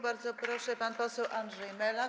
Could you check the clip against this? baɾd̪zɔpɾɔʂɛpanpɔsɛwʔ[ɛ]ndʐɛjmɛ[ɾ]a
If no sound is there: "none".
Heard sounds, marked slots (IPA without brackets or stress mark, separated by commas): a, l